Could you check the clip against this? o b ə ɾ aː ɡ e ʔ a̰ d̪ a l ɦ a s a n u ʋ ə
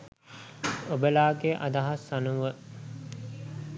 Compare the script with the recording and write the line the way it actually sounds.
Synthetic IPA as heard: o b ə l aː ɡ e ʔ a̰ d̪ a ɦ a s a n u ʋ ə